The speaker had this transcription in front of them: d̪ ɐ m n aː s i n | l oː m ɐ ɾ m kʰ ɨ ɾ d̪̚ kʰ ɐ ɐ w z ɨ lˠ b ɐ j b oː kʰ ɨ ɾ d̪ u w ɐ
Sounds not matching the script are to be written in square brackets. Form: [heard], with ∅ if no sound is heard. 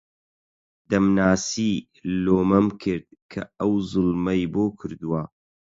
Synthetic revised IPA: d̪ ɐ m n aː s i [∅] | l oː m ɐ [∅] m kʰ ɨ ɾ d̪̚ kʰ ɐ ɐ w z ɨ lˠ [m] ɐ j b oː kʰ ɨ ɾ d̪ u w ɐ